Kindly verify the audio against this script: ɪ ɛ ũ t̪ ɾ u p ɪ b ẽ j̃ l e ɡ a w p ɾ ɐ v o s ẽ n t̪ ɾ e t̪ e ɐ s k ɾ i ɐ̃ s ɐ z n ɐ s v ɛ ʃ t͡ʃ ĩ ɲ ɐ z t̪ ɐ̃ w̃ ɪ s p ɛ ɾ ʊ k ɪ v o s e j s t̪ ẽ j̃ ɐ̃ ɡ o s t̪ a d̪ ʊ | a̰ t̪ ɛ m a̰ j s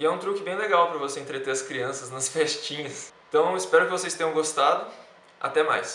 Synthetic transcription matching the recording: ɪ ɛ ũ t̪ ɾ u k ɪ b ẽ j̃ l e ɡ a w p ɾ ɐ v o s ẽ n t̪ ɾ e t̪ e ɐ s k ɾ i ɐ̃ s ɐ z n ɐ s f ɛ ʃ t͡ʃ ĩ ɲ ɐ s t̪ ɐ̃ w̃ ɪ s p ɛ ɾ ʊ k ɪ v o s e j s t̪ ẽ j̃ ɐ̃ ɡ o s t̪ a d̪ ʊ | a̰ t̪ ɛ m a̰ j s